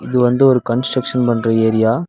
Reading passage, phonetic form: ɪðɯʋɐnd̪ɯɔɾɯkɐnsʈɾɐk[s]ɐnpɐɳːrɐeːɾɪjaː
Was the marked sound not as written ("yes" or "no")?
yes